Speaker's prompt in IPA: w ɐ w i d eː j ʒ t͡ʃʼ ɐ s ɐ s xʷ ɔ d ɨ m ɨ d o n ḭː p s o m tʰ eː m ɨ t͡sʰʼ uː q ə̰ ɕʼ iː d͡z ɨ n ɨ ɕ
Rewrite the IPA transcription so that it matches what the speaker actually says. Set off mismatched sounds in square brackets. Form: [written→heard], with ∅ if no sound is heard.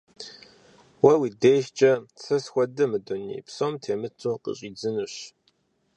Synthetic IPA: w ɐ w i d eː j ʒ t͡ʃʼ ɐ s ɐ s xʷ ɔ d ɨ m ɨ d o n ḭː p s o m tʰ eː m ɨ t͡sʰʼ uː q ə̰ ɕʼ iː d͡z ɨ n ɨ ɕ